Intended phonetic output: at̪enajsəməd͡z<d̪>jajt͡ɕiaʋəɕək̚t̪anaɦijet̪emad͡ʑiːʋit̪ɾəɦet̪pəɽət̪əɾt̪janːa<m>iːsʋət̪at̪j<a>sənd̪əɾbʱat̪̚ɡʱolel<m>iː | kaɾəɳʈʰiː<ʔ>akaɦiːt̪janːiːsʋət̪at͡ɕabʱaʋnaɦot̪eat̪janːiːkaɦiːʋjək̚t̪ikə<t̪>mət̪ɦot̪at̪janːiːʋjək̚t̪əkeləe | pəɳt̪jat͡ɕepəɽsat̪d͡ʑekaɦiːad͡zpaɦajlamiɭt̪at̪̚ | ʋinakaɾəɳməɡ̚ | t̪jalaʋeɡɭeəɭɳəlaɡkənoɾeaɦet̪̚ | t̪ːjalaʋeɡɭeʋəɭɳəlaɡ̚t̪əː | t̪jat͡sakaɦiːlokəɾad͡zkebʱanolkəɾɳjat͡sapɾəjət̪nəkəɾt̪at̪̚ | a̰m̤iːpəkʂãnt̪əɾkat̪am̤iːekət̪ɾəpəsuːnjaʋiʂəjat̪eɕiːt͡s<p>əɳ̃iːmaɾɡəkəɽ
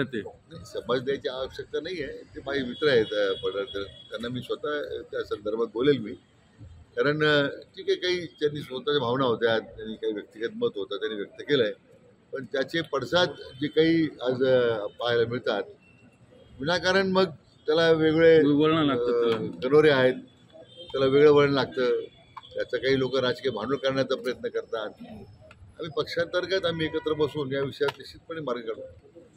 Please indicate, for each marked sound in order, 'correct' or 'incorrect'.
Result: correct, correct, correct, correct, incorrect, correct, correct

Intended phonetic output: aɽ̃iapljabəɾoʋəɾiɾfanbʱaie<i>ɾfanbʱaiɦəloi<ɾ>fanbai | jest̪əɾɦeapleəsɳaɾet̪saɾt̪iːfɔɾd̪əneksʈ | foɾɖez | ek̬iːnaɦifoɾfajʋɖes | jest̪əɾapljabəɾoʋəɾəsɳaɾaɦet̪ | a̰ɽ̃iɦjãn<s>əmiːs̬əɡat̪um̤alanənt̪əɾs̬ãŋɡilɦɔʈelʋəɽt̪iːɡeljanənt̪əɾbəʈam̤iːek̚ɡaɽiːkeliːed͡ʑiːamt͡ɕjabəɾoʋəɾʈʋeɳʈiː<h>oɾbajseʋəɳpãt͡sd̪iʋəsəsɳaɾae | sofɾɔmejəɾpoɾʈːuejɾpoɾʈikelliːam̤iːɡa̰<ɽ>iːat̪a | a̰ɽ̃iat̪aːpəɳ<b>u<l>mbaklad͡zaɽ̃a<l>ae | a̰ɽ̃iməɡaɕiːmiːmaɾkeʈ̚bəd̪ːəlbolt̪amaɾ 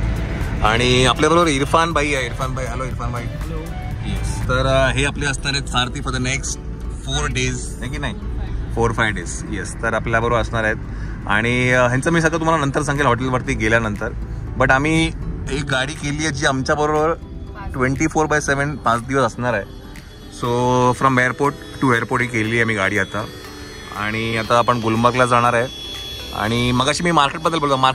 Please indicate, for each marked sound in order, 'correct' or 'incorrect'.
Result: correct, correct, incorrect, incorrect, correct, incorrect, correct, incorrect

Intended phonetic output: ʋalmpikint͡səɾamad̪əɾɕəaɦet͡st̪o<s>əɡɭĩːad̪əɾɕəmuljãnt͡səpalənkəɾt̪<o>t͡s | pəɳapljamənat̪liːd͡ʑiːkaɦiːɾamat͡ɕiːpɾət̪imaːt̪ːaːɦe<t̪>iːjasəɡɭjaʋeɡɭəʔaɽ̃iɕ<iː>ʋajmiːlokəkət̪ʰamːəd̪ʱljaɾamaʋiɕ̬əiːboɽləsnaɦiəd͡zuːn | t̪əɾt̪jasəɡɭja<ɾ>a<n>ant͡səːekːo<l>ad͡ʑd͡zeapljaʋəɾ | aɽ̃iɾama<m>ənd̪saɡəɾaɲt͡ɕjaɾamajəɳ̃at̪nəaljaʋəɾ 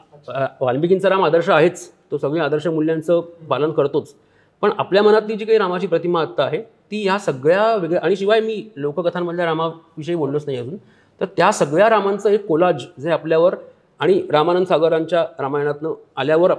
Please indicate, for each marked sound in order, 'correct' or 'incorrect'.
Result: correct, correct, correct, incorrect, correct, incorrect, correct, incorrect

